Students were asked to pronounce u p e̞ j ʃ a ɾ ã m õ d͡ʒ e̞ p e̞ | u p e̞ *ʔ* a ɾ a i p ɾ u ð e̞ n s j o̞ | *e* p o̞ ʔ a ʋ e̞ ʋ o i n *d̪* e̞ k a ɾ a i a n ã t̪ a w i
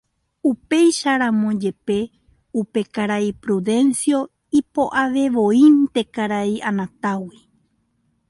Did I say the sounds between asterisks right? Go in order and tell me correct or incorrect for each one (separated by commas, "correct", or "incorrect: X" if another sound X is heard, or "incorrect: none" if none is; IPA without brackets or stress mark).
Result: incorrect: k, incorrect: i, incorrect: t̪